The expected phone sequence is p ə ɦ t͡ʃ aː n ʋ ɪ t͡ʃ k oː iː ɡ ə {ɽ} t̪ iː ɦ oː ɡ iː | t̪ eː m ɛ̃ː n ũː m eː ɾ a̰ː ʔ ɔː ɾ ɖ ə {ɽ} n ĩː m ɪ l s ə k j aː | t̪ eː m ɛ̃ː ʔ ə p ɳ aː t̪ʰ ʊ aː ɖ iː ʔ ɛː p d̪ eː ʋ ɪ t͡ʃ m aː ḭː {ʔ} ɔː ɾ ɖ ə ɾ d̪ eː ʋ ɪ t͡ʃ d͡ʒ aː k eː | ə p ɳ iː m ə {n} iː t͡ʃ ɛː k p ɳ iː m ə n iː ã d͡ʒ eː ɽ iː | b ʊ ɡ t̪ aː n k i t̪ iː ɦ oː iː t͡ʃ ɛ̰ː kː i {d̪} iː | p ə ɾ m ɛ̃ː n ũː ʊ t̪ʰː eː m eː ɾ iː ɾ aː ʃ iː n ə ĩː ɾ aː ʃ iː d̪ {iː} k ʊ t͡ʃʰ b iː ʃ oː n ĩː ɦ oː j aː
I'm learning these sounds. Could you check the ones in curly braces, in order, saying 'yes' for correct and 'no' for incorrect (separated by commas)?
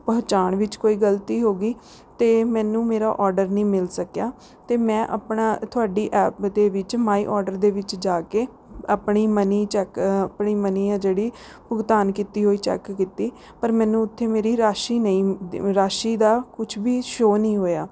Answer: no, no, yes, yes, no, no